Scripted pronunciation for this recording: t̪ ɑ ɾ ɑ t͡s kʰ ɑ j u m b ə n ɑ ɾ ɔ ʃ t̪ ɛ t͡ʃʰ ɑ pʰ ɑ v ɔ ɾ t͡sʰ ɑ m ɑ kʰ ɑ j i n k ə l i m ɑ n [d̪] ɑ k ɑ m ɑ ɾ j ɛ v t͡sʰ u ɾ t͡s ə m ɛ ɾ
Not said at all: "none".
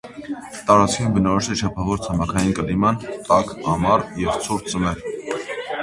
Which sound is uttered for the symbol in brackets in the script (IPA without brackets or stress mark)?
t̪